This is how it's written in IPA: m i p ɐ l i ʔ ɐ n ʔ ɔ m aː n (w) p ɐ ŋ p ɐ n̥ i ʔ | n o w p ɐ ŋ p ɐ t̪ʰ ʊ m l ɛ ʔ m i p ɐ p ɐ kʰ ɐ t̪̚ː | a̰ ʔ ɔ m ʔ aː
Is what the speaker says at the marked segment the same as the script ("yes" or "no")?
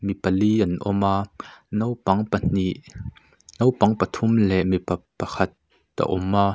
yes